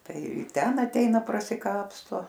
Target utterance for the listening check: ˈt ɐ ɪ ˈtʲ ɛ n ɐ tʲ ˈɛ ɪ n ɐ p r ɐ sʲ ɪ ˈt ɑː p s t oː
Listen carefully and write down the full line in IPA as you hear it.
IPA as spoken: ˈt ɐ ɪ ˈtʲ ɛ n ɐ tʲ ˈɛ ɪ n ɐ p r ɐ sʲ ɪ ˈk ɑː p s t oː